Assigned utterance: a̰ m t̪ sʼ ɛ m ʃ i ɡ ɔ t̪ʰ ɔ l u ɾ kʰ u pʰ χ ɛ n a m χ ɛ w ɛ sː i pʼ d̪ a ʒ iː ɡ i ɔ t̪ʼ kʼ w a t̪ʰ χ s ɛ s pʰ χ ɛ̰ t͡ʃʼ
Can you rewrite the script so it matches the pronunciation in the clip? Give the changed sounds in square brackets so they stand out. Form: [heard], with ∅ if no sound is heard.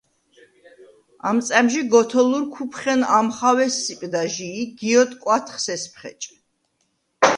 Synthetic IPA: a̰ m t̪ sʼ ɛ m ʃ i ɡ ɔ t̪ʰ ɔ l u ɾ kʰ u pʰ χ ɛ n a m χ [a] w ɛ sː i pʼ d̪ a ʒ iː ɡ i ɔ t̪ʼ kʼ w a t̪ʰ χ s ɛ s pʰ χ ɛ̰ t͡ʃʼ